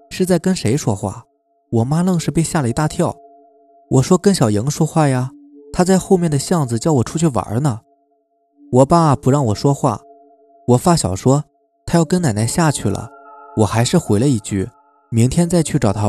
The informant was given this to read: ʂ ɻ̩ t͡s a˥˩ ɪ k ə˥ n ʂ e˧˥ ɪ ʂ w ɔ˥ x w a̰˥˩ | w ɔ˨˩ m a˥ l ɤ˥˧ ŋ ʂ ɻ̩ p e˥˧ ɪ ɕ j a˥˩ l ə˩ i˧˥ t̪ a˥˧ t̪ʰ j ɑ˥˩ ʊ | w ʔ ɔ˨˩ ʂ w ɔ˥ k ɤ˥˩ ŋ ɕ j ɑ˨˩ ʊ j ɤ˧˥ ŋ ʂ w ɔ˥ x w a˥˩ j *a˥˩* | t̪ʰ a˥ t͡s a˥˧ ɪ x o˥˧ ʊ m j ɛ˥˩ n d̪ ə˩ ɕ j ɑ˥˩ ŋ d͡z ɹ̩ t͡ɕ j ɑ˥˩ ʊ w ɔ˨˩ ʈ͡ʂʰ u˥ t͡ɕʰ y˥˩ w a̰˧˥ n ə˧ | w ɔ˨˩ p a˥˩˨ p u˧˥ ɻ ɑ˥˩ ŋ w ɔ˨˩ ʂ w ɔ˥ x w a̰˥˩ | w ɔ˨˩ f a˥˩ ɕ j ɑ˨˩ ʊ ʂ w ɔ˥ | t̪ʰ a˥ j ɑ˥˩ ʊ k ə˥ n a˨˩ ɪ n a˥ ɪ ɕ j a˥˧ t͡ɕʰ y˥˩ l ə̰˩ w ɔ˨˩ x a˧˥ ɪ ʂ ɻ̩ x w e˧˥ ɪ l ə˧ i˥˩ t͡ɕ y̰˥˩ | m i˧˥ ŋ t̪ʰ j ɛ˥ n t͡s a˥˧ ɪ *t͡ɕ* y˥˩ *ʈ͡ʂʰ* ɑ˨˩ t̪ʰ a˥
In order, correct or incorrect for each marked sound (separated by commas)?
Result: incorrect, incorrect, incorrect